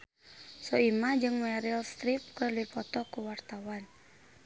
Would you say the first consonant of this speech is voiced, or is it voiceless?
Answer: voiceless